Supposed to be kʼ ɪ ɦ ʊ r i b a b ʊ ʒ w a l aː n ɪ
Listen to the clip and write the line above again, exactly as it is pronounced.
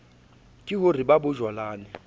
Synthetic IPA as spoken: kʼ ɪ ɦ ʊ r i b a b ʊ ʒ w a l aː n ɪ